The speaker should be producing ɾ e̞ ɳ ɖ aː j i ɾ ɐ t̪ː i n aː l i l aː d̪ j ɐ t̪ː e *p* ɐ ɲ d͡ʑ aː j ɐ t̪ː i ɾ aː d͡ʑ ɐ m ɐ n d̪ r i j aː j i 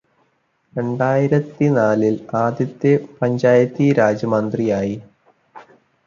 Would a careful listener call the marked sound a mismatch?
no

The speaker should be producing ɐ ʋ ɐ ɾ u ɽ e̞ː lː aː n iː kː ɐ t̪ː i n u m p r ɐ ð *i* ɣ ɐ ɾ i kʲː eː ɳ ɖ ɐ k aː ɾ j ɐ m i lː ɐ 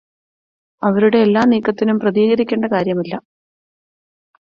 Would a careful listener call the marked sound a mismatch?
yes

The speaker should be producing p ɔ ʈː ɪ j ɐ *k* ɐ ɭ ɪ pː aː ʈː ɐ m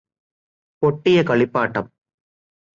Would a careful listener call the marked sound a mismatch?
no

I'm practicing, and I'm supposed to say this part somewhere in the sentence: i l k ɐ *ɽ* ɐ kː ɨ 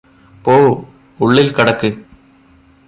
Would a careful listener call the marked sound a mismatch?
no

